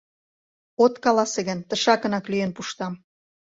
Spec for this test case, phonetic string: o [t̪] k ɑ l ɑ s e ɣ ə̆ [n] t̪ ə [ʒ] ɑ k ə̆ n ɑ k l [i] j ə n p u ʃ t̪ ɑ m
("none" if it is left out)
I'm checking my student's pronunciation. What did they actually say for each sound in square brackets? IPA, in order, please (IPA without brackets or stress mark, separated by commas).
t̪, n, ʃ, y